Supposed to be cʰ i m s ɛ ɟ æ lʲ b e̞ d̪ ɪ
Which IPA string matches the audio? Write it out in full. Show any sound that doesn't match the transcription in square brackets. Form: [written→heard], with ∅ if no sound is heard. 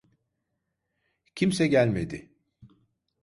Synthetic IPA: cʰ i m s ɛ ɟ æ lʲ [b→m] e̞ d̪ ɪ